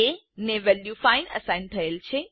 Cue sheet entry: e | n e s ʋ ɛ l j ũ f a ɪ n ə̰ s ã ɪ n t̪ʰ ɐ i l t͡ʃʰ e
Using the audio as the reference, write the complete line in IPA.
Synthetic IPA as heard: e | n e ʋ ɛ l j u f a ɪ n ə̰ s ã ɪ n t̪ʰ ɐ e l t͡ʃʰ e